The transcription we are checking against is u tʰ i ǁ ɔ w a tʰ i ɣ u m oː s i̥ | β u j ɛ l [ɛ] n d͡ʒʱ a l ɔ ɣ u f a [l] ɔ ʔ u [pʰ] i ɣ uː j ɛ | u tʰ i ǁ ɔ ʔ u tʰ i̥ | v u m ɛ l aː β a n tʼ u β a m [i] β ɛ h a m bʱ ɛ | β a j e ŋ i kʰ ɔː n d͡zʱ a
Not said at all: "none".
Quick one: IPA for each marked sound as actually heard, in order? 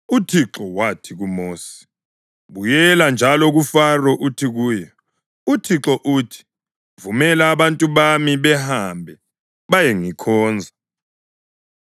a, r, tʰ, i

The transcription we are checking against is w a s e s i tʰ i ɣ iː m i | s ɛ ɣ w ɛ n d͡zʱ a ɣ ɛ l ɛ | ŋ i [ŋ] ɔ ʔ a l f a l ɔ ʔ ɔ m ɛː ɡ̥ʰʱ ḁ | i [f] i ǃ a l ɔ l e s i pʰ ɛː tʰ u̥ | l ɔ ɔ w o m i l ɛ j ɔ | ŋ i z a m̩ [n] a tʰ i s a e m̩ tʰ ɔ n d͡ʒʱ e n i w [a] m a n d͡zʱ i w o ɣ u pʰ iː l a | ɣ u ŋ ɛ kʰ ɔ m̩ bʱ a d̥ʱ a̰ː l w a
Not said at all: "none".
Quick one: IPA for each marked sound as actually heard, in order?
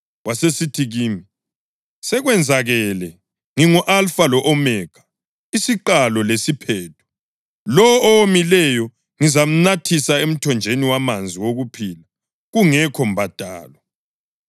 ŋ, s, n, a

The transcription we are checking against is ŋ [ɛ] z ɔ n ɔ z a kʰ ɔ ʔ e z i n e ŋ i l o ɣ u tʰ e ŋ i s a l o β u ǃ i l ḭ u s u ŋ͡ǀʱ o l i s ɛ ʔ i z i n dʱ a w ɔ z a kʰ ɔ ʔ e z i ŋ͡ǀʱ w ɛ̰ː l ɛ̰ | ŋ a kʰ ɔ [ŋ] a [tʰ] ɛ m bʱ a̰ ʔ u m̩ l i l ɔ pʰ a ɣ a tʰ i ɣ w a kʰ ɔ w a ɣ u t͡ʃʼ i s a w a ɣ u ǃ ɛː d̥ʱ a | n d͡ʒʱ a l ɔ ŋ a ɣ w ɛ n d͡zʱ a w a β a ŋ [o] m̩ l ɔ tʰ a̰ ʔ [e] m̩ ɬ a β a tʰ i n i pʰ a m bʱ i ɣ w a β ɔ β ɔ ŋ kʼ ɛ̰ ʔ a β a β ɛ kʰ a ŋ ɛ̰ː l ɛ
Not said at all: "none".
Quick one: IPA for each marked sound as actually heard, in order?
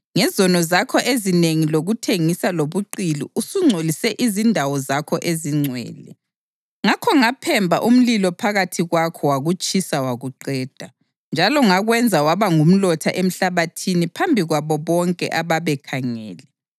ɛ, ŋ, pʰ, u, e

